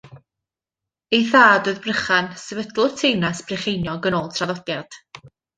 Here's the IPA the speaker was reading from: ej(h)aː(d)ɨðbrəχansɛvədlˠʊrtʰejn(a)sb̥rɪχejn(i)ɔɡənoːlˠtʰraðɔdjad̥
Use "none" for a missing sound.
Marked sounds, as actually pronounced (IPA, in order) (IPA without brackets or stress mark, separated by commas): θ, d, a, j